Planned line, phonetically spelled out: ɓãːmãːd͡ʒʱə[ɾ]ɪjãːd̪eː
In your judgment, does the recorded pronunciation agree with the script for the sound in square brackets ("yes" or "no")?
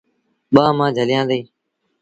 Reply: no